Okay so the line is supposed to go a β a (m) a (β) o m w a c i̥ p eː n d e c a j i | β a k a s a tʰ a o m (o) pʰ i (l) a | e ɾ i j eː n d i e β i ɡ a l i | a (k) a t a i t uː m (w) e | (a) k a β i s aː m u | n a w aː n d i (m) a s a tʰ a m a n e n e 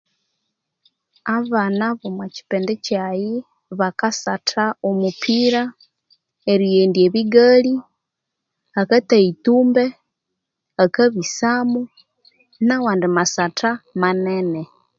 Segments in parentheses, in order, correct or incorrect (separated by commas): incorrect, correct, incorrect, incorrect, correct, incorrect, correct, correct